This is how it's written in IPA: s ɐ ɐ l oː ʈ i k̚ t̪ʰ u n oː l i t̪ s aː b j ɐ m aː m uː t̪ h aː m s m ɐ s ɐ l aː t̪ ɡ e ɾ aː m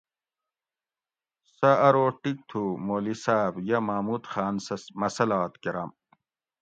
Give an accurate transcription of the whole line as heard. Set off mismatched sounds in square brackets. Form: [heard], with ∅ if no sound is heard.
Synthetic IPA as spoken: s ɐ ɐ [ɾ] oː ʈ i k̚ t̪ʰ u [m] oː l i [∅] s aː b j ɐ m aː m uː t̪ [x] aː [n] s m ɐ s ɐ l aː t̪ [k] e ɾ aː m

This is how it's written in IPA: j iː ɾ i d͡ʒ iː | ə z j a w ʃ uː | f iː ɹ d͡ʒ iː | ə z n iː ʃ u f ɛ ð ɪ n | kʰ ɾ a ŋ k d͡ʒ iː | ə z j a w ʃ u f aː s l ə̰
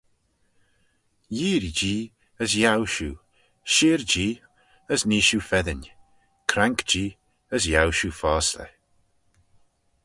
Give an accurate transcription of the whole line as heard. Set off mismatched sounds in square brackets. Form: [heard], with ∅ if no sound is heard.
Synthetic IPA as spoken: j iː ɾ i d͡ʒ iː | ə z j a w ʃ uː | [ʃ] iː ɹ d͡ʒ iː | ə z n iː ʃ u f ɛ ð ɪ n | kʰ ɾ a ŋ k d͡ʒ iː | ə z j a w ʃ u f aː s l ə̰

